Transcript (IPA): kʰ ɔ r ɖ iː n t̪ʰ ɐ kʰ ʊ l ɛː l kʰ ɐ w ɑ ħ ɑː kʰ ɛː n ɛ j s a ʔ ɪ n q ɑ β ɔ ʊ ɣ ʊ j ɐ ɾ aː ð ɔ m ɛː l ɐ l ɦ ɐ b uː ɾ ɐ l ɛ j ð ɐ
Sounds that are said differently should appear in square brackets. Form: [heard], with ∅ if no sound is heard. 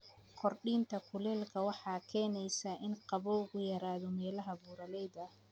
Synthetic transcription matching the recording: kʰ ɔ r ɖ iː n t̪ʰ ɐ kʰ ʊ l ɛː l kʰ ɐ w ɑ ħ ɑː kʰ ɛː n ɛ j s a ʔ ɪ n q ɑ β ɔ ʊ ɣ ʊ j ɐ ɾ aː ð ɔ m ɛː l ɐ [∅] ɦ ɐ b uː ɾ ɐ l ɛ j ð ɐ